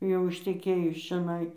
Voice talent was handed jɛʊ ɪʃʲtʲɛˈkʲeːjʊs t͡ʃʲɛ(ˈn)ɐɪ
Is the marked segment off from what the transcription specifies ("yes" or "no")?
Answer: no